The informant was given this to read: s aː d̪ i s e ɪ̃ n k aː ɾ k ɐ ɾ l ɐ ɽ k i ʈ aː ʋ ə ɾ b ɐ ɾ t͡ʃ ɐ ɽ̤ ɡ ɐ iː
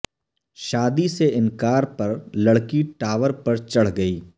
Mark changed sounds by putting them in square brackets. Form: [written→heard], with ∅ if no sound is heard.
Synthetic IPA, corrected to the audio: [s→ʃ] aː d̪ i s e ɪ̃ n k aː ɾ [k→p] ɐ ɾ l ɐ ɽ k i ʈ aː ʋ ə ɾ [b→p] ɐ ɾ t͡ʃ ɐ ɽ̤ ɡ ɐ iː